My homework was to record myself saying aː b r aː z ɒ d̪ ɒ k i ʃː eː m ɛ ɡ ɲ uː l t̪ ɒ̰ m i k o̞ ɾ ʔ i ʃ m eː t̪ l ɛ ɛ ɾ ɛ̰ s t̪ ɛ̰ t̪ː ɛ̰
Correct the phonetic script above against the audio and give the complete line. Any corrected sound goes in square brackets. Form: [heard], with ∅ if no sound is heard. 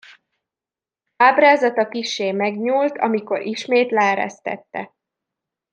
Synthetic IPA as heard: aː b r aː z ɒ [t̪] ɒ k i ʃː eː m ɛ ɡ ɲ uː l t̪ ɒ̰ m i k o̞ ɾ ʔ i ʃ m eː t̪ l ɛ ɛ ɾ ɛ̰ s t̪ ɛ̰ t̪ː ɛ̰